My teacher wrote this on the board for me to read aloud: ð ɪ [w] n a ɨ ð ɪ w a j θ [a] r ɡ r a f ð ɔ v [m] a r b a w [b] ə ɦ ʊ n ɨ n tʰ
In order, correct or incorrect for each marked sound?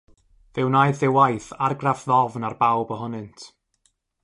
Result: correct, correct, incorrect, correct

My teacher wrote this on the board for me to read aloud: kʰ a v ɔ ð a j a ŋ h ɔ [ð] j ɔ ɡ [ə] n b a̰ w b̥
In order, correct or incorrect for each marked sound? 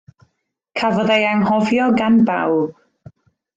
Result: incorrect, incorrect

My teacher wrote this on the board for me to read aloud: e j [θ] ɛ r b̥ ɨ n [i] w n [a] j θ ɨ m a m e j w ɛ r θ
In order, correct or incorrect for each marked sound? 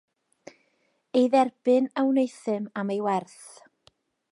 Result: incorrect, incorrect, incorrect

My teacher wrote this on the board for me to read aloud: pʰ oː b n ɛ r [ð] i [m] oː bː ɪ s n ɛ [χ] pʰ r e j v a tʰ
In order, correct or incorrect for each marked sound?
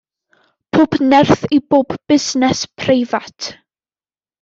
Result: incorrect, incorrect, incorrect

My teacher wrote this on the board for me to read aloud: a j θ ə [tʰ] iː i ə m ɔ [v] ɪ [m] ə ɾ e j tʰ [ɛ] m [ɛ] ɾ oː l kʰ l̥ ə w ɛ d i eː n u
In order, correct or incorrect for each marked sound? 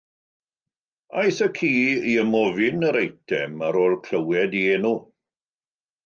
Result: incorrect, correct, incorrect, correct, incorrect

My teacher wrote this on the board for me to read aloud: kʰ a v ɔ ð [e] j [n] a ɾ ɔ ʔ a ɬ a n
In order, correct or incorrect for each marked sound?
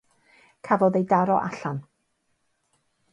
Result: correct, incorrect

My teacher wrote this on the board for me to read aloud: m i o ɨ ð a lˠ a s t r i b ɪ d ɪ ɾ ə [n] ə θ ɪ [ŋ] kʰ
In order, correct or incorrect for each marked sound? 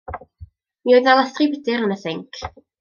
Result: correct, correct

